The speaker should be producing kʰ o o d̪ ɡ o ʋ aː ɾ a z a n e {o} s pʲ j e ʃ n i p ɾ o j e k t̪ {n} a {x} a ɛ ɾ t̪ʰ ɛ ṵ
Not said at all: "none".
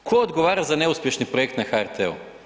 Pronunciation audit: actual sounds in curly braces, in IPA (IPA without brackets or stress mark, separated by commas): u, n, x